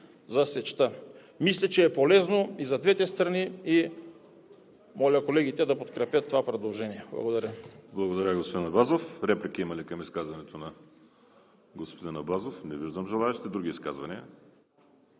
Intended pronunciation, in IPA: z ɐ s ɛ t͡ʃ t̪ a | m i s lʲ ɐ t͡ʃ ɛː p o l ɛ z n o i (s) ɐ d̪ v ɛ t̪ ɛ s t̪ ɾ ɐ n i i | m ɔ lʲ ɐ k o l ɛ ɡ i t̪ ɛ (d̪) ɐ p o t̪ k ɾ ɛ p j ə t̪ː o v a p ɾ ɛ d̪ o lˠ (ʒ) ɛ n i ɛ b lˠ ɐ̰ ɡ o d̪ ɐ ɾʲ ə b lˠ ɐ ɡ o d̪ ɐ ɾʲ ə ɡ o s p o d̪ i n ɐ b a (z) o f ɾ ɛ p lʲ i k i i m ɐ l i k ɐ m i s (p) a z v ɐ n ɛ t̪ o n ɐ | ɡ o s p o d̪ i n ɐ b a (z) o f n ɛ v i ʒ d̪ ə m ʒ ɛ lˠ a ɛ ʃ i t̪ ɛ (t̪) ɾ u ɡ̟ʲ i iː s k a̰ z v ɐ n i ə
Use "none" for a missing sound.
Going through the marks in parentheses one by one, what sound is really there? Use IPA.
z, d̪, ʒ, z, k, z, d̪

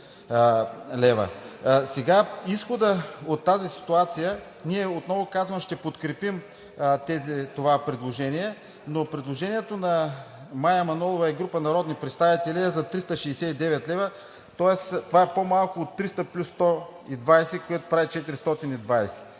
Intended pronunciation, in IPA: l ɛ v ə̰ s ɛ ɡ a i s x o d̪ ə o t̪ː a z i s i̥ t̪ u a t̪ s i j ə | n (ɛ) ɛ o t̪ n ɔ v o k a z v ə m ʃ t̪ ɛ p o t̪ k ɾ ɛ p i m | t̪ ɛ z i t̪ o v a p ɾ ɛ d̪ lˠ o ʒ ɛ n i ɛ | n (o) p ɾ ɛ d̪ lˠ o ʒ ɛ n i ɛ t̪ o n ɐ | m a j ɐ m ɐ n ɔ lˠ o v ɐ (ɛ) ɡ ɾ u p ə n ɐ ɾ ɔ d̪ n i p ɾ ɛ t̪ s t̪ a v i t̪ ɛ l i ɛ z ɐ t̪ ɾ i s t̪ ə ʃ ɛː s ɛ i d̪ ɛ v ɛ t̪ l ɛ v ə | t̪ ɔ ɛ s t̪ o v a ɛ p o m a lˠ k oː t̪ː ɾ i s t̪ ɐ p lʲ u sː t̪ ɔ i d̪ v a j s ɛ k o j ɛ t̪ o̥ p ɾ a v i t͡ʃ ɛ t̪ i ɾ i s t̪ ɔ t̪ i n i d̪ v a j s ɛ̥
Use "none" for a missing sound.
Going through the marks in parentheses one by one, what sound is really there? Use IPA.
i, o, ɛ

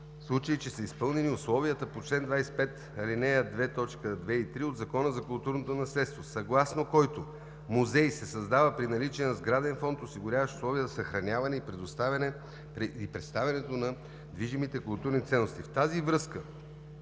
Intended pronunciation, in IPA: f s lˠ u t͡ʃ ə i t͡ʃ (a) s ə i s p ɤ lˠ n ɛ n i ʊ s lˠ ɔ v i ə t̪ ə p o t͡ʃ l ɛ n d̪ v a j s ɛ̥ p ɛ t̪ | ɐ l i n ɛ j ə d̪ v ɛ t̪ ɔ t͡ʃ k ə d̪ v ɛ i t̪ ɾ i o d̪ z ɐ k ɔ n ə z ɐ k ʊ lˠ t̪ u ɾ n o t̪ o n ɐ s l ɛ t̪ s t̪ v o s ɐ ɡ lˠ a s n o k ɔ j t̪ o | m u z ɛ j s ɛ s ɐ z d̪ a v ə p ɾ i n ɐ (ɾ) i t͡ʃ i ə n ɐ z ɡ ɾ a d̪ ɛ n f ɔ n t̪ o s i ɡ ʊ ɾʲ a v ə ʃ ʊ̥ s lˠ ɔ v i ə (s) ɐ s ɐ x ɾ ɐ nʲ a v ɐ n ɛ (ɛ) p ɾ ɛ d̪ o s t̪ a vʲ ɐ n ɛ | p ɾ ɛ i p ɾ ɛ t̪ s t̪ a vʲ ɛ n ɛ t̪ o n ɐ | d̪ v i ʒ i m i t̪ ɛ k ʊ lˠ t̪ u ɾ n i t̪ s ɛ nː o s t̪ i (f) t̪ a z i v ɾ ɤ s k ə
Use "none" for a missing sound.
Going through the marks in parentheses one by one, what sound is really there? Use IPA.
ɛ, l, z, i, f

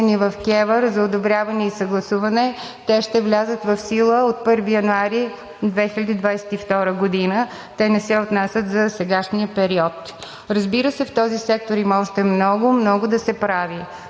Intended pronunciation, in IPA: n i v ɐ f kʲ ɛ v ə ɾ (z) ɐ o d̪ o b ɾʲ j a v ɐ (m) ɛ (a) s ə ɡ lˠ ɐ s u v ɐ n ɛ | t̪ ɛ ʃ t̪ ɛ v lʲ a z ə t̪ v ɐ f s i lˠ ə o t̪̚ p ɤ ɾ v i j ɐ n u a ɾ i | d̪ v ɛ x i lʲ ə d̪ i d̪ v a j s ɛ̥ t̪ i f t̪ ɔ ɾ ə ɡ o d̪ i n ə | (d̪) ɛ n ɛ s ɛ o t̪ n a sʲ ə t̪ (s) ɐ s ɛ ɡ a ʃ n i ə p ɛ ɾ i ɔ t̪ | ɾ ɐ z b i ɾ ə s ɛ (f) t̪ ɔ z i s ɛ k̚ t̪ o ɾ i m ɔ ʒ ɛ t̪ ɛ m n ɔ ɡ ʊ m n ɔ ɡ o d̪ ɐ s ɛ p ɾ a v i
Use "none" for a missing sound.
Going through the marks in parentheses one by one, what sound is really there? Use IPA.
z, n, i, t̪, z, f

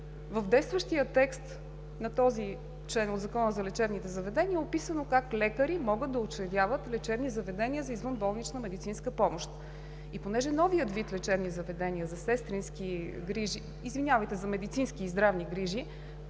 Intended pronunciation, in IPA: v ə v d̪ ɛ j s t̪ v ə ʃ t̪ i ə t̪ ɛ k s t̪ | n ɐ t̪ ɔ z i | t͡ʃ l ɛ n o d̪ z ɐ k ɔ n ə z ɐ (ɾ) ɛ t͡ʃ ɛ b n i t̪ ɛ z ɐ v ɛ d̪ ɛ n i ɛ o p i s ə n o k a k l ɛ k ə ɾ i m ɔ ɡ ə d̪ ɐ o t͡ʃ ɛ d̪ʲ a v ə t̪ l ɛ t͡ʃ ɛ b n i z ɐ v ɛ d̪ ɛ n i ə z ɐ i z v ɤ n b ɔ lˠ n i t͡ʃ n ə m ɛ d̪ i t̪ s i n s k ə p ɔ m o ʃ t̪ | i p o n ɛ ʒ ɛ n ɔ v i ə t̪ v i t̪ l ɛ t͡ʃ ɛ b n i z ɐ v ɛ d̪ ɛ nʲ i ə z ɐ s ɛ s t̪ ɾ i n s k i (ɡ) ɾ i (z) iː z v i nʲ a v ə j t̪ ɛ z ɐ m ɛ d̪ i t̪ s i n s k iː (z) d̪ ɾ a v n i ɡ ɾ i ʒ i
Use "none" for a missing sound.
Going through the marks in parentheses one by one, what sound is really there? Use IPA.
l, ɡ, ʒ, z

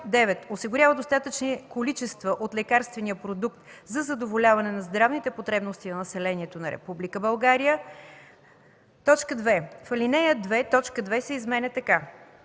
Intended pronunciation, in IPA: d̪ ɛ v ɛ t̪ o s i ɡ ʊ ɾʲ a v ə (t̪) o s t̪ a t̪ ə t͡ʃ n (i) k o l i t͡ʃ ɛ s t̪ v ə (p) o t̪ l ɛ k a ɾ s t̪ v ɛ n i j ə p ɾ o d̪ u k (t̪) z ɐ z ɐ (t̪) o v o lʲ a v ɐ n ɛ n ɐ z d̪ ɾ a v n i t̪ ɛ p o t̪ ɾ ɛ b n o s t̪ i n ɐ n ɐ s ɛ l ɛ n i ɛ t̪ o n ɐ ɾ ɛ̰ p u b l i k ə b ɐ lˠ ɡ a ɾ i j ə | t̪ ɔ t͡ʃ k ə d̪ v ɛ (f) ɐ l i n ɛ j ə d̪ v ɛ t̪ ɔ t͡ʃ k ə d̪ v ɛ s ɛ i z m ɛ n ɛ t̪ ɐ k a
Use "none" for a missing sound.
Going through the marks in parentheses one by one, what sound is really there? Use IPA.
d̪, i, ʔ, t̪, d̪, f

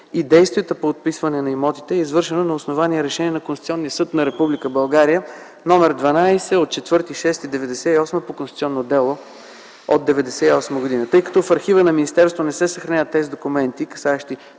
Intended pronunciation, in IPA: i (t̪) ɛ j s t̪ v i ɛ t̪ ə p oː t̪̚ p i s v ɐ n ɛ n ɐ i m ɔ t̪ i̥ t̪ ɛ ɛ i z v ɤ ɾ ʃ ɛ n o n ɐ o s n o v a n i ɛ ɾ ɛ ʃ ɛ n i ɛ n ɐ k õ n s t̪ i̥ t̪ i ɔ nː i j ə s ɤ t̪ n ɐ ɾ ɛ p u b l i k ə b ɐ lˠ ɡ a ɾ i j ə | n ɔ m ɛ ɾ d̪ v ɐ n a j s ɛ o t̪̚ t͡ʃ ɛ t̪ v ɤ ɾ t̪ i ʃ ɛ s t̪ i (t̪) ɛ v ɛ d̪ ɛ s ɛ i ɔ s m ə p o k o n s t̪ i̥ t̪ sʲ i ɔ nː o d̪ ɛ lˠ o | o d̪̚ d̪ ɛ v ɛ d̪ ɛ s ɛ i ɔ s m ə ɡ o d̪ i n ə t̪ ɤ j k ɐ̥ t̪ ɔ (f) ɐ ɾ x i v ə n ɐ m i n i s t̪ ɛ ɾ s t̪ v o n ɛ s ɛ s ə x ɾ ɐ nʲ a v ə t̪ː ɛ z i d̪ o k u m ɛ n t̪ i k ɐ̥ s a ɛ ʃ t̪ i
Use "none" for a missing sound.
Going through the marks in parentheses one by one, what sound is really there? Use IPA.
d̪, d̪, f

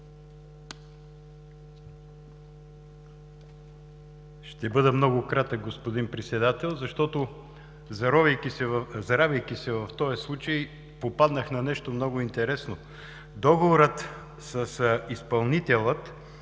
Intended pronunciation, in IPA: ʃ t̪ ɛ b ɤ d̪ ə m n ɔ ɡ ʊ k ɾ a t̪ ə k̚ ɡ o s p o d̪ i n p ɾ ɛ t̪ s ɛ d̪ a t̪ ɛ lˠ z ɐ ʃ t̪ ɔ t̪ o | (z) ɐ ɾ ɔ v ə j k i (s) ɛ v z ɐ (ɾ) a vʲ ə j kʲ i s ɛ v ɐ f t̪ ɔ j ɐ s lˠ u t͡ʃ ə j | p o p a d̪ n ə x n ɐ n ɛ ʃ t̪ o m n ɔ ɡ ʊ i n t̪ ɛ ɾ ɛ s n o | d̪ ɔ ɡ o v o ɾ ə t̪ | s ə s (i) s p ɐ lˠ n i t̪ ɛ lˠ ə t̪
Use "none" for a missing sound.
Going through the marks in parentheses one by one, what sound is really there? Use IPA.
z, s, ɾ, i

